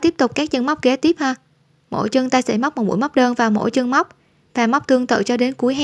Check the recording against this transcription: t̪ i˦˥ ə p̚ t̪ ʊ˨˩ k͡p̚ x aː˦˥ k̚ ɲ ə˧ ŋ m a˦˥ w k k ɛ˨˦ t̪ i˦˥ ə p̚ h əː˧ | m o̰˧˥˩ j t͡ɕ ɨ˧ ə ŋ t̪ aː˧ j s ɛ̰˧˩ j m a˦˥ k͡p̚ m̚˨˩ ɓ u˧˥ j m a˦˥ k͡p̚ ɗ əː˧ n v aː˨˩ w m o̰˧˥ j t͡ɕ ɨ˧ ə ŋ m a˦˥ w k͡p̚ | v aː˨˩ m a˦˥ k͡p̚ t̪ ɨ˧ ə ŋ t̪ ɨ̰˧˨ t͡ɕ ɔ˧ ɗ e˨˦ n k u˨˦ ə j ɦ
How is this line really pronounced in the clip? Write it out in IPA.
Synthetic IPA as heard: t̪ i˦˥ ə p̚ t̪ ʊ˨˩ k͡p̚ k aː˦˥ k̚ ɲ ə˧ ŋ m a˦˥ w k͡p̚ k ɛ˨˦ t̪ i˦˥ ə p̚ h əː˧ | m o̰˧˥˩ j t͡ɕ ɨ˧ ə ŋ t̪ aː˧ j s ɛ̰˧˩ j m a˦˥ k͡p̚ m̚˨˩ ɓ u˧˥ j m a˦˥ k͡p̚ ɗ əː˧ n v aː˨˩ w m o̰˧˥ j t͡ɕ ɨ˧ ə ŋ m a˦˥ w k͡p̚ | v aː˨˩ m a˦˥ k͡p̚ t̪ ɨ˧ ə ŋ t̪ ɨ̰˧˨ t͡ɕ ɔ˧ ɗ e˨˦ n k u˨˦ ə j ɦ